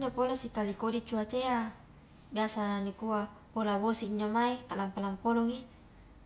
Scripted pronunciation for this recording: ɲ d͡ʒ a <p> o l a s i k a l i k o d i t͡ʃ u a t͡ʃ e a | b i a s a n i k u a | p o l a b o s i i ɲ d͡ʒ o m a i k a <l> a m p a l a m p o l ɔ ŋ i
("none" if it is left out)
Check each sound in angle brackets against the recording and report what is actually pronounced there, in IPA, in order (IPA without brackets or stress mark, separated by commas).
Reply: p, l